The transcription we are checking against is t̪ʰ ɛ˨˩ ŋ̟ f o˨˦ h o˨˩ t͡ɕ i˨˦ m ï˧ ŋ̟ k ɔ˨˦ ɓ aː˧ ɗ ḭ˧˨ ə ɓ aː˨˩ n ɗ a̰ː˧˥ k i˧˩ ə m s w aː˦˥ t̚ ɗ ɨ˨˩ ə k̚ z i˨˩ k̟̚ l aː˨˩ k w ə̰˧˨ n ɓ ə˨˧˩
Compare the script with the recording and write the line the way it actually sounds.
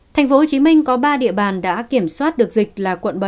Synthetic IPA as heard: t̪ʰ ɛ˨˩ ŋ̟ f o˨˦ h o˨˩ t͡ɕ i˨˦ m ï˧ ŋ̟ k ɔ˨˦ ɓ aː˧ ɗ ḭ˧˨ ə ɓ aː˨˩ n ɗ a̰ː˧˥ k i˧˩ ə m s w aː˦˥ t̚ ɗ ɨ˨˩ ə k̚ z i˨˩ k̟̚ l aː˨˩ k w ə̰˧˨ n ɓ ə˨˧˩